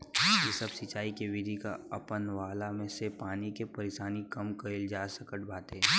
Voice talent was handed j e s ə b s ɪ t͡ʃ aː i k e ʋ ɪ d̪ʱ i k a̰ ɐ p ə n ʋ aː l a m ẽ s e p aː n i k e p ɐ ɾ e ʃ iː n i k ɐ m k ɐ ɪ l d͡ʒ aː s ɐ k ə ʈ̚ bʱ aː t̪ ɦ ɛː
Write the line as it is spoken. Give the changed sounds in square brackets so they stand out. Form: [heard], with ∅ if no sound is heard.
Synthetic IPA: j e s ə b s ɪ t͡ʃ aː i k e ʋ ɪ d̪ʱ i k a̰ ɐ p ə n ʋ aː l a m ẽ s e p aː n i k e p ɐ ɾ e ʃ [aː] n i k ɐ m k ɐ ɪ l d͡ʒ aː s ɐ k ə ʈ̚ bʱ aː t̪ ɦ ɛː